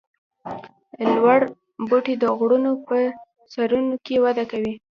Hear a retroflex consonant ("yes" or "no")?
yes